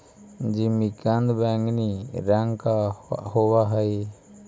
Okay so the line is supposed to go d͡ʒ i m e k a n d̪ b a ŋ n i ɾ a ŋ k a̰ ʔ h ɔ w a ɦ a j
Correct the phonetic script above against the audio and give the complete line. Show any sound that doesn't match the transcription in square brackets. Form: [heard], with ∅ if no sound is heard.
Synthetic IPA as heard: d͡ʒ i m [i] k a n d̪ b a ŋ n i ɾ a ŋ k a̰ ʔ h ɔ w a ɦ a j